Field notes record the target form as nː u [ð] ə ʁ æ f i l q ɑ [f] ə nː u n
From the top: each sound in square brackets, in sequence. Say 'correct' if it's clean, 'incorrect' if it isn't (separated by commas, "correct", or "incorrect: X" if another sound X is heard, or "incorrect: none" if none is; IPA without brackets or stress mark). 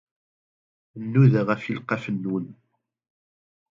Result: correct, correct